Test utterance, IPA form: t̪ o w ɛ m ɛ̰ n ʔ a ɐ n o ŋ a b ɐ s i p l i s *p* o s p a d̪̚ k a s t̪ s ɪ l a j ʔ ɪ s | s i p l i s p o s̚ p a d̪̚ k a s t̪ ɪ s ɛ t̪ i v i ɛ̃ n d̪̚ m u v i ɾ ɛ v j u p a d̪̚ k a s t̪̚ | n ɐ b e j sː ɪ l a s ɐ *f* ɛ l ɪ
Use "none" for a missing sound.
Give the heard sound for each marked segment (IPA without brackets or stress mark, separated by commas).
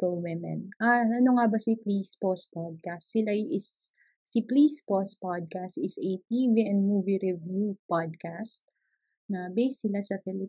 p, f